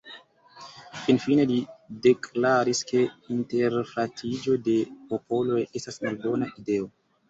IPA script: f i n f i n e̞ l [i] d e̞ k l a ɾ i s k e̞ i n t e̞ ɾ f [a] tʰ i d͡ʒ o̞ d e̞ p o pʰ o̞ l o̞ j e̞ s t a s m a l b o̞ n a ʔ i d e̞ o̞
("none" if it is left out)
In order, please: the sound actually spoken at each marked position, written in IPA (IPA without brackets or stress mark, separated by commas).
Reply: i, a